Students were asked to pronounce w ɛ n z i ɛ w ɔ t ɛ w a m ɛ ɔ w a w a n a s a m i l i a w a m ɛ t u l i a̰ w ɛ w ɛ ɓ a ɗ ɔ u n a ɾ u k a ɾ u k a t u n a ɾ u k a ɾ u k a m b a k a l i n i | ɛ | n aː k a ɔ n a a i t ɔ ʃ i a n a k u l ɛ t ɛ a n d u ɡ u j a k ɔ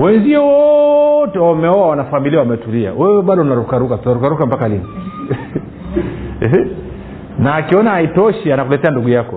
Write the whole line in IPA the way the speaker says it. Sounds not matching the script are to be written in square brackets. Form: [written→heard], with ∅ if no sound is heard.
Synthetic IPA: w ɛ n z i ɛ w ɔ t ɛ w a m ɛ ɔ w a w a n a [s→f] a m i l i a w a m ɛ t u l i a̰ w ɛ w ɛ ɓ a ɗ ɔ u n a ɾ u k a ɾ u k a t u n a ɾ u k a ɾ u k a m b a k a l i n i | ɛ | n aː k [a→i] ɔ n a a i t ɔ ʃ i a n a k u l ɛ t ɛ a n d u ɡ u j a k ɔ